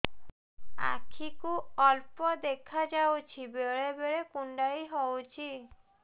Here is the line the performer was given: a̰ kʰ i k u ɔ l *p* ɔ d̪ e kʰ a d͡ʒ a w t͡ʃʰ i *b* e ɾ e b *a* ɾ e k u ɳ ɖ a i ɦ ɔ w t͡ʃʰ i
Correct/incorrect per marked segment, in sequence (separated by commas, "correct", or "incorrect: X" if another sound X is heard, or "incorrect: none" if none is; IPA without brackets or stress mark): correct, correct, incorrect: e